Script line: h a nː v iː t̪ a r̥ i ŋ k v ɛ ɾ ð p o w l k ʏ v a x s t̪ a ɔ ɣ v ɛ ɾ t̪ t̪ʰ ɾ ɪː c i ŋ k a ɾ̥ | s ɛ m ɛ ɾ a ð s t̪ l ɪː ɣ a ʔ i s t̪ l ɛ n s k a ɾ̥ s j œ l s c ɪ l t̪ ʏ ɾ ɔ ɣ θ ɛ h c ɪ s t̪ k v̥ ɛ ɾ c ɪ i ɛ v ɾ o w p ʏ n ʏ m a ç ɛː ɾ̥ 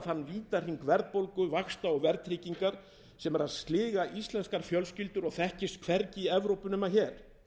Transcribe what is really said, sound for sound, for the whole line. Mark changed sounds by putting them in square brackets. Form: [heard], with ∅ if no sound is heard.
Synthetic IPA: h a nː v iː t̪ a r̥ i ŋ k v ɛ ɾ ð p o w l k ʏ v a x s t̪ a ɔ ɣ v ɛ ɾ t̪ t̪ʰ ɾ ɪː c i ŋ k a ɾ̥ | s ɛ m ɛ ɾ a ð s t̪ l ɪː ɣ a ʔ i s t̪ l ɛ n s k a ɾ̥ [f] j œ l s c ɪ l t̪ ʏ ɾ ɔ ɣ θ ɛ h c ɪ s t̪ [kʰ] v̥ ɛ ɾ c ɪ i ɛ v ɾ o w p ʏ n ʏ m a ç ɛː ɾ̥